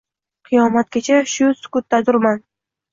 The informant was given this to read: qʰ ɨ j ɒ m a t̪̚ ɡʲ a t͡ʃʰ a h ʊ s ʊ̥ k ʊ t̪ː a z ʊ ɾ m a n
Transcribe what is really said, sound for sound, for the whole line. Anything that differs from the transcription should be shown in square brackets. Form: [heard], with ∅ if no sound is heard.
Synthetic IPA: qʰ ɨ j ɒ m a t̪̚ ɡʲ a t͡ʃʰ a [ʃ] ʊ s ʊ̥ k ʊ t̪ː a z ʊ ɾ m a n

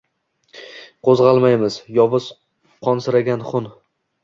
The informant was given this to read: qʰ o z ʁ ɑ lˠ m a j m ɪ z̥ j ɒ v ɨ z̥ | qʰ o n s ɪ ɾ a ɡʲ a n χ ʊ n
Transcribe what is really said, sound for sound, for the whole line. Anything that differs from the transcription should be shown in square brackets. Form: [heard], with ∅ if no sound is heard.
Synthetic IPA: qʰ o z ʁ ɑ lˠ m a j m ɪ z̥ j ɒ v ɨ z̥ | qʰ [ɒ] n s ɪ ɾ a ɡʲ a n χ ʊ n

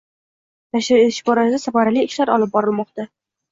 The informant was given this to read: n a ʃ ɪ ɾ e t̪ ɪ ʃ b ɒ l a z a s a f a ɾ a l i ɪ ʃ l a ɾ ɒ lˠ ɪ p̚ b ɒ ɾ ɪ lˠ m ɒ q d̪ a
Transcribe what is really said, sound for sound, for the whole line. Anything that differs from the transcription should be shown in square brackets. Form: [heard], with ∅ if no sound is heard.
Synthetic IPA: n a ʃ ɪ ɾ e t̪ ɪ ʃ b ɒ [ɾ] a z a s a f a ɾ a l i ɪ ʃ l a ɾ ɒ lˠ ɪ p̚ b ɒ ɾ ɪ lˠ m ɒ q [t̪] a

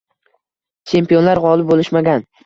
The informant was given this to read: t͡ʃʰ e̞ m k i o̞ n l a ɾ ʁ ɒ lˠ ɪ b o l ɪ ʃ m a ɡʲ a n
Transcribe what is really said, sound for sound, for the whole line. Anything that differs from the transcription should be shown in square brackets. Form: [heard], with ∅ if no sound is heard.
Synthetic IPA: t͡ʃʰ e̞ m [p] i o̞ n l a ɾ ʁ ɒ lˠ ɪ b o l ɪ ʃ m a ɡʲ a n

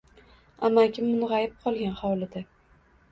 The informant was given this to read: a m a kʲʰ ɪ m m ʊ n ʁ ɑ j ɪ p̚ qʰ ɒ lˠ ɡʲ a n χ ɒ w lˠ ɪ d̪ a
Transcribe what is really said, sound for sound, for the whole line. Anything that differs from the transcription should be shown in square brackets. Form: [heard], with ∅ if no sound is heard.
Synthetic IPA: a m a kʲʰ ɪ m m ʊ n ʁ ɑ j ɪ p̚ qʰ ɒ lˠ ɡʲ a n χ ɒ w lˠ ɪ d̪ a

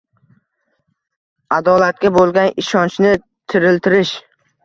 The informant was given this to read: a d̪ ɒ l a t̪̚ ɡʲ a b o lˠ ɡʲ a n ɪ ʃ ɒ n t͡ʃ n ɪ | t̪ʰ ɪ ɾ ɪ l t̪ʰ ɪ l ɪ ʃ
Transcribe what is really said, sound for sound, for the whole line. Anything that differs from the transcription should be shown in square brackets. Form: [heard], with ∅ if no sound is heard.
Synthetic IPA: a d̪ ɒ l a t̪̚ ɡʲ a b o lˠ ɡʲ a n ɪ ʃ ɒ n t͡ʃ n ɪ | t̪ʰ ɪ ɾ ɪ l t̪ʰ ɪ [ɾ] ɪ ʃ

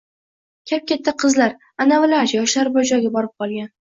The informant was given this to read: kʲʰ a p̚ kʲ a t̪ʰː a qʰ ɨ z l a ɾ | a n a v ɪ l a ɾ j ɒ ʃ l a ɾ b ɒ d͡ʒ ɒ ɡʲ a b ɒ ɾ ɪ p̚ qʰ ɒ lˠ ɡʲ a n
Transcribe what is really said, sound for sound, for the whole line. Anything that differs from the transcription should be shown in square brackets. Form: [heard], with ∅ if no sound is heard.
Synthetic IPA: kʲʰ a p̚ kʲ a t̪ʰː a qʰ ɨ z l a ɾ | a n a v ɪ l a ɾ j ɒ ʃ l a ɾ b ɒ d͡ʒ ɒ ɡʲ a b ɒ ɾ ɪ p̚ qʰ ɒ lˠ ɡʲ a n

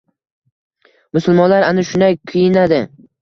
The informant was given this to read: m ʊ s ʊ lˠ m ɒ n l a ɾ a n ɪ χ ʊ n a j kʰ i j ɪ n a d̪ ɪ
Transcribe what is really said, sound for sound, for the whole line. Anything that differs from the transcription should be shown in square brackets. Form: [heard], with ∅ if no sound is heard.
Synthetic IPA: m ʊ s ʊ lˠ m ɒ n l a ɾ a n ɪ [ʃ] ʊ n a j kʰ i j ɪ n a d̪ ɪ

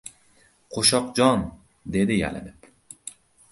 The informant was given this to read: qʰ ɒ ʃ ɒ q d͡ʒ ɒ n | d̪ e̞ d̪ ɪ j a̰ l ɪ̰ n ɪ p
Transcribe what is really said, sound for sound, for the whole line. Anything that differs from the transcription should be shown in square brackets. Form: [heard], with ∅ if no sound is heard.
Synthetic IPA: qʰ [o] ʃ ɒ q d͡ʒ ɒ n | d̪ e̞ d̪ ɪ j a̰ l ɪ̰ n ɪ p

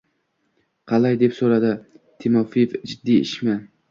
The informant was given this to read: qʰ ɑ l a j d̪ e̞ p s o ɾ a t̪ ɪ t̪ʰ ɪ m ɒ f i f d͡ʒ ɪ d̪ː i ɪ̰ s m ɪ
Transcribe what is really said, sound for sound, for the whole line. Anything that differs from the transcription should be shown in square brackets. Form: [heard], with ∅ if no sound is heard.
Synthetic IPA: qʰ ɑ l a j d̪ e̞ p s o ɾ a [d̪] ɪ t̪ʰ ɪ m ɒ f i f d͡ʒ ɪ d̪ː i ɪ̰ [ʃ] m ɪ

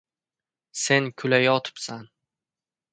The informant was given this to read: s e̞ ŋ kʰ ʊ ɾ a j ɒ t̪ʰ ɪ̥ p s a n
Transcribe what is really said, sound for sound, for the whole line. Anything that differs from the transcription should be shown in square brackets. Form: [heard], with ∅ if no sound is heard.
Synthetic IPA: s e̞ [n] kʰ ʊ [l] a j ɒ t̪ʰ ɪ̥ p s a n

